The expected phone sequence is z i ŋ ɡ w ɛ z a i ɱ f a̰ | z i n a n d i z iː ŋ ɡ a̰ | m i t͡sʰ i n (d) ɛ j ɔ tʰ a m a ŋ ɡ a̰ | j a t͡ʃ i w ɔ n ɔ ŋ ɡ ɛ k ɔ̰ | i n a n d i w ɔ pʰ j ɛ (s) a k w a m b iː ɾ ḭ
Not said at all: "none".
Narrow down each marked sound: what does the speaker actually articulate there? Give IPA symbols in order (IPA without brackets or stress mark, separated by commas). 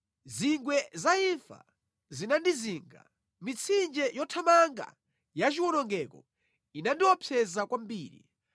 d͡ʒ, z